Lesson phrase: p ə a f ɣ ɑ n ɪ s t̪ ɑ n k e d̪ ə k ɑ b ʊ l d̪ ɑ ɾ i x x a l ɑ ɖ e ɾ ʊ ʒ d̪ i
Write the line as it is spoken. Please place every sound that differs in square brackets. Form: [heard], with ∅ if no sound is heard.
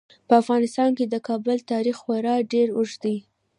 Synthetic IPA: p ə a f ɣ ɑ n ɪ s t̪ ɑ n k e d̪ ə k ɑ b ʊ l [t̪] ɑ ɾ i x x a [ɾ] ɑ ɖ e ɾ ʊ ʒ d̪ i